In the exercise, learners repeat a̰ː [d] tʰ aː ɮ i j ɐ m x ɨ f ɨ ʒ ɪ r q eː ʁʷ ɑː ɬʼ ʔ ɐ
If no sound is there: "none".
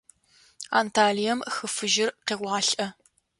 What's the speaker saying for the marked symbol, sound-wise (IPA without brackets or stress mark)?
n